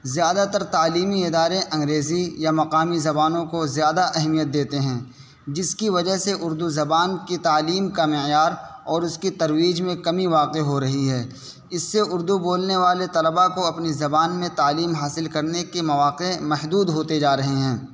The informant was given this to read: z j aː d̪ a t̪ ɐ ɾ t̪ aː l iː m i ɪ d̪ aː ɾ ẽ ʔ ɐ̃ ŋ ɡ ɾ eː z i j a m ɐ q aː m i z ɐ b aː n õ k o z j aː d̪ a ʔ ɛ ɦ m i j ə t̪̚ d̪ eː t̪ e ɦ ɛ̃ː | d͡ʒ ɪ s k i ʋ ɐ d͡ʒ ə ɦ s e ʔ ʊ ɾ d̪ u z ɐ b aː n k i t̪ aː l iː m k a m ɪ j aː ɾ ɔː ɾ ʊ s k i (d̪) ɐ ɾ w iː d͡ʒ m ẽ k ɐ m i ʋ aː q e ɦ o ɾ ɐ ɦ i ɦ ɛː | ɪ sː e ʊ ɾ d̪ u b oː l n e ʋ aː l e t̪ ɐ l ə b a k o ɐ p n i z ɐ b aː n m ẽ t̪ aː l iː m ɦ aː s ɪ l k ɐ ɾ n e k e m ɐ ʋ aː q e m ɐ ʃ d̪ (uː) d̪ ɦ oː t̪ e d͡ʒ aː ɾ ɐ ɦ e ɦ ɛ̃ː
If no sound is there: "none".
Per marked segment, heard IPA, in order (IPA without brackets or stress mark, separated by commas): t̪, uː